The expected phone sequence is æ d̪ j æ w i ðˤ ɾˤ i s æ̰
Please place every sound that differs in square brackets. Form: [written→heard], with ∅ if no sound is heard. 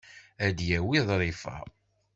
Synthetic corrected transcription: æ d̪ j æ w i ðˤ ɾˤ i [s→f] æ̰